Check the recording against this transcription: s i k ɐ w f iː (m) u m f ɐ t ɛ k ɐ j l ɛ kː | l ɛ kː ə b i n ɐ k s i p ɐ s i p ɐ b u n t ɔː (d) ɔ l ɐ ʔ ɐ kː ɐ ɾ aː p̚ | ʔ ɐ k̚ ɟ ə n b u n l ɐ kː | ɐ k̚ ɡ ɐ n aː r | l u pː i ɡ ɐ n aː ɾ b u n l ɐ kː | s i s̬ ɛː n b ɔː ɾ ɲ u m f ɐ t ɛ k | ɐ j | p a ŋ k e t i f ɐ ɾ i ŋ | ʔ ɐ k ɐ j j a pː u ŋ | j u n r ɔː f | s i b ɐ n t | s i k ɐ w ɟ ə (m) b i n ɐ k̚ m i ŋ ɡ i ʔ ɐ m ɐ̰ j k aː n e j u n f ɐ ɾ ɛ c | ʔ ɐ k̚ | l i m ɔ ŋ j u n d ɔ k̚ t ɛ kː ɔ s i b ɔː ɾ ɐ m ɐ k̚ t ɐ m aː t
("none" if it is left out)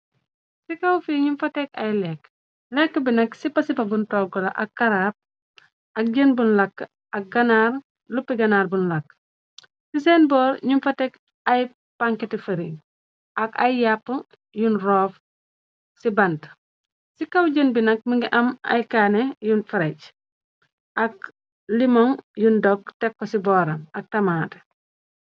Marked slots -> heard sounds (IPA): ɲ, ɡ, n

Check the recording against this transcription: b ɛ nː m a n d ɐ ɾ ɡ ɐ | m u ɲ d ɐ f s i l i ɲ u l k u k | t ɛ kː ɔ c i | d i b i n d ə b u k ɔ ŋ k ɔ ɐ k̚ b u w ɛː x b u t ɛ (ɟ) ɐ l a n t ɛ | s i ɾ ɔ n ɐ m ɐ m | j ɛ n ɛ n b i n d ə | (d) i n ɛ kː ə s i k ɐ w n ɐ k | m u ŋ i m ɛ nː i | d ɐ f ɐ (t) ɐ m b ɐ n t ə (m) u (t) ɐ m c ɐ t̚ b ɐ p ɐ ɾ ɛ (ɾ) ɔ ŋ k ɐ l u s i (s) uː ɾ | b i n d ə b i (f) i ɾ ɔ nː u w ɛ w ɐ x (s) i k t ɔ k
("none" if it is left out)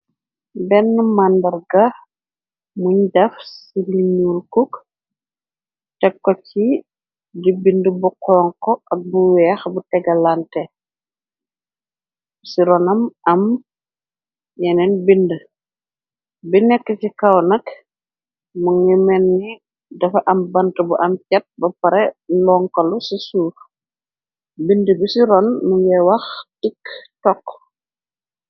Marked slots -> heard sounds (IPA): ɡ, b, ʔ, b, ʔ, l, s, s, t

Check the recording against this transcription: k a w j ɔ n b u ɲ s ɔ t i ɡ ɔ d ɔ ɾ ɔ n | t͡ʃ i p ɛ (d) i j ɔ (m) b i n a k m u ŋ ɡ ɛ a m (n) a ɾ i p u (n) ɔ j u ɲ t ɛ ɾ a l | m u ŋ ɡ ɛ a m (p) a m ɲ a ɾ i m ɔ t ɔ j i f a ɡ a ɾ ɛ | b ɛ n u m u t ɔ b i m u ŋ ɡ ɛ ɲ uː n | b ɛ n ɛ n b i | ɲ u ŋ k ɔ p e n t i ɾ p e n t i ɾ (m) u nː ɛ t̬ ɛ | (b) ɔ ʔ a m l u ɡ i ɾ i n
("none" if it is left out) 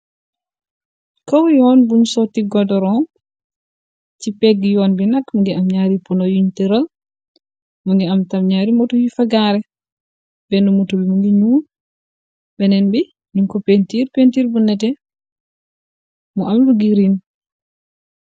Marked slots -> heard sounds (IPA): ɡ, n, ɲ, n, t, b, m

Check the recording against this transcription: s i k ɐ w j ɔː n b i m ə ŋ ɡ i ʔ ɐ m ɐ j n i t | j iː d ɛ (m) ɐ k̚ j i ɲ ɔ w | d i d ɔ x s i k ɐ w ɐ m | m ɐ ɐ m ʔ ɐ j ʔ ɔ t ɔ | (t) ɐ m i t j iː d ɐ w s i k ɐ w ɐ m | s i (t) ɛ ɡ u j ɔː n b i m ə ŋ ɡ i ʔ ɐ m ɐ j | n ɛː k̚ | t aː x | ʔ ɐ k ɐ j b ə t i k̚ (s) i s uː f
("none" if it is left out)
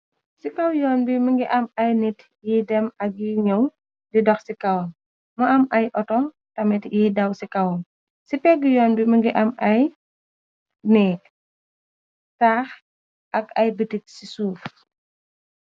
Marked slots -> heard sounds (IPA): m, t, p, s

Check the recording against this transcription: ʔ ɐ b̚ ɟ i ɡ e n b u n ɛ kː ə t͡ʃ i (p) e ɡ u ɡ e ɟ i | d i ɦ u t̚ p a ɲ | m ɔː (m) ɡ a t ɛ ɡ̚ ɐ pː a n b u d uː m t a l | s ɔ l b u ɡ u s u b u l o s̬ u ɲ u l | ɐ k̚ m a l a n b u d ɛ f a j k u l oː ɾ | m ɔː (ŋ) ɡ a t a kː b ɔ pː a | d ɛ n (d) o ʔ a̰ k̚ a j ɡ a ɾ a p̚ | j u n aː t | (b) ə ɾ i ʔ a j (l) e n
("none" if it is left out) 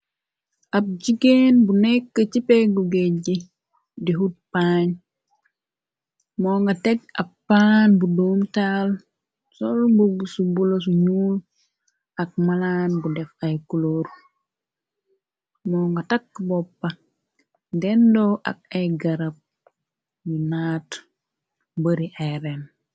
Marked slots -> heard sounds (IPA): p, ŋ, ŋ, d, b, ɾ

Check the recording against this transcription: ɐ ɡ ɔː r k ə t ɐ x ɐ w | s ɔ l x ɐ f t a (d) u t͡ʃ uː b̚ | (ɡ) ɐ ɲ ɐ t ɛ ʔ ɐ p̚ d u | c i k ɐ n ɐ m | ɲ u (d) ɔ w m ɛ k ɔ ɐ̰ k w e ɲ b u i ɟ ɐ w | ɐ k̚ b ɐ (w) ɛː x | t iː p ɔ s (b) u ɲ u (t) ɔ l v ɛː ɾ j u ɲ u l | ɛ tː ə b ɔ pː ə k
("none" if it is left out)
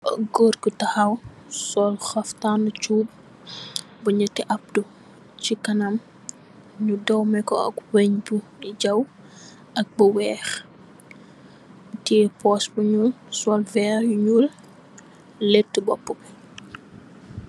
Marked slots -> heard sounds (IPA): n, b, d, w, b, s

